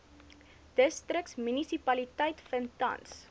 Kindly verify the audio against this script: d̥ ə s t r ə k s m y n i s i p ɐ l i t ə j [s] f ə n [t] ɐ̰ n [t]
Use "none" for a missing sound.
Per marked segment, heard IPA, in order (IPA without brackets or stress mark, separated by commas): t, t, s